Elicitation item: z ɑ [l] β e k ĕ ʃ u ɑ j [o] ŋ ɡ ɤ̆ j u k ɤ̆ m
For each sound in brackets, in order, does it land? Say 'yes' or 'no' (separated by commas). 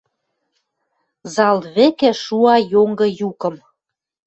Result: yes, yes